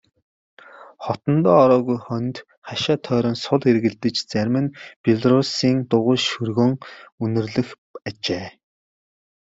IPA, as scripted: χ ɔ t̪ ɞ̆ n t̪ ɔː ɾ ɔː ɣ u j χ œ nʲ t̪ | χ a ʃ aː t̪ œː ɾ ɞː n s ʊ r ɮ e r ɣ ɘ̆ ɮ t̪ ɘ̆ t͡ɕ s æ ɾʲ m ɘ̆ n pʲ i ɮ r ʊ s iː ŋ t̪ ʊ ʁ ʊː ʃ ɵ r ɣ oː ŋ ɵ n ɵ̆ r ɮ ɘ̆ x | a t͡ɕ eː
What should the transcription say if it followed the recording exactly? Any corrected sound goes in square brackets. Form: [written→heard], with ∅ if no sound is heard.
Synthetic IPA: χ ɔ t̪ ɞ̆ n t̪ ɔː ɾ ɔː ɣ u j χ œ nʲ t̪ | χ a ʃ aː [t̪→t̪ʰ] œː ɾ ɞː n s ʊ [r→∅] ɮ e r ɣ ɘ̆ ɮ t̪ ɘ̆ t͡ɕ [s→t͡s] æ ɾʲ m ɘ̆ n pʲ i ɮ r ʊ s iː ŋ t̪ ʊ ʁ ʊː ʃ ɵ r ɣ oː ŋ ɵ n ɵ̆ r ɮ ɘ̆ x | a t͡ɕ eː